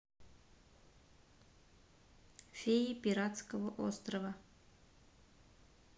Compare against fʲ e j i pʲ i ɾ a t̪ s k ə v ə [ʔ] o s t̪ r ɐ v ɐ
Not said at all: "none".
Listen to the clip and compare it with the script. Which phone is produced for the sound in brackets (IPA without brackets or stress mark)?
ʔ